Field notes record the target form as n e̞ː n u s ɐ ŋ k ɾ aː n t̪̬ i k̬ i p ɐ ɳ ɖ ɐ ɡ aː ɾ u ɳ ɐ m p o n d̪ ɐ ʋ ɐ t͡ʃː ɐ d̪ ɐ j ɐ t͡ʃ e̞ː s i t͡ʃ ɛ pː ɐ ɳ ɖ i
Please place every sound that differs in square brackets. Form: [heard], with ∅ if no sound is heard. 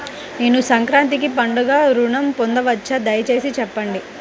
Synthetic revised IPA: n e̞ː n u s ɐ ŋ k ɾ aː n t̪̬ i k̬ i p ɐ ɳ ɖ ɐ ɡ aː ɾ u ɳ ɐ m p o n d̪ ɐ ʋ ɐ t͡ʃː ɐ d̪ ɐ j ɐ t͡ʃ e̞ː s i t͡ʃ ɛ pː ɐ ɳ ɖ i